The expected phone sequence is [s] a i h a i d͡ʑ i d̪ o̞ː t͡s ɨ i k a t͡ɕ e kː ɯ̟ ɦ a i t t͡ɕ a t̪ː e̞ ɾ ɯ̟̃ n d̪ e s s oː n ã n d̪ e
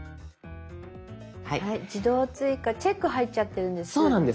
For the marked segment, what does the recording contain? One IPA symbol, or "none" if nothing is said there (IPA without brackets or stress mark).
h